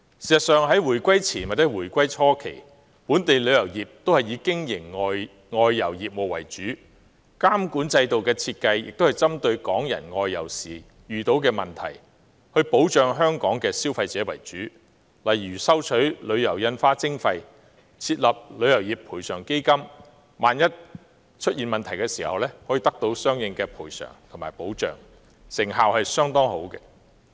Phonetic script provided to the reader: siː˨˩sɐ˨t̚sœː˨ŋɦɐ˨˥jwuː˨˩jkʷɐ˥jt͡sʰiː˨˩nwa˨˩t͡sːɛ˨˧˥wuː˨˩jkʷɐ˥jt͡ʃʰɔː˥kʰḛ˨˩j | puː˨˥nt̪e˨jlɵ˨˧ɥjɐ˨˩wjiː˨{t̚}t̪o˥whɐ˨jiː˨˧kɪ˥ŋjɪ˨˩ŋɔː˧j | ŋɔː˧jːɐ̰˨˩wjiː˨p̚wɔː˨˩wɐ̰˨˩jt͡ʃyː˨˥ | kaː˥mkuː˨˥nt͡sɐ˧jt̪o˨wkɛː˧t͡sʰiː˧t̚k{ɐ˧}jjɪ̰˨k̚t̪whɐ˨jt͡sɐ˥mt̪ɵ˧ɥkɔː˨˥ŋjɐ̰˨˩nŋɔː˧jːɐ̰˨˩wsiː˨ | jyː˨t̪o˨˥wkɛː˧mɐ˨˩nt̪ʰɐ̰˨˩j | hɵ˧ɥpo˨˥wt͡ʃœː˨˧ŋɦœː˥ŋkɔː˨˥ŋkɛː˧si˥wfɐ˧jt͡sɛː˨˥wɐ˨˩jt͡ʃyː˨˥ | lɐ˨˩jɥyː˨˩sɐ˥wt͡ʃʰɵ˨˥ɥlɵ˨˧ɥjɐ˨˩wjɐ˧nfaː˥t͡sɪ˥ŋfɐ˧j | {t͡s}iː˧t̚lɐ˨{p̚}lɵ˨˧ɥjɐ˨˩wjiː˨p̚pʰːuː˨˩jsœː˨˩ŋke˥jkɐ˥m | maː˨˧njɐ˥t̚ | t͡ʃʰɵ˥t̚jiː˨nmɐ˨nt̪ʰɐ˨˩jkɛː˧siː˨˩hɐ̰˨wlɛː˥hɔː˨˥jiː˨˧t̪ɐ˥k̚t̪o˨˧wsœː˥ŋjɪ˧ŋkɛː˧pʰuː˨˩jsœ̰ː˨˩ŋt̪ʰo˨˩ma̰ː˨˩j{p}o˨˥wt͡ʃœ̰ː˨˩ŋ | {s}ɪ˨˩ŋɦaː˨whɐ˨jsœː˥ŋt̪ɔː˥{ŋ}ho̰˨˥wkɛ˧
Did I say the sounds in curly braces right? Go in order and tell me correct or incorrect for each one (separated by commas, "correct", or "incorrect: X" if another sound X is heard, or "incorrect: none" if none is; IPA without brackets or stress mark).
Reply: incorrect: p̚, correct, incorrect: t͡sʰ, correct, correct, correct, correct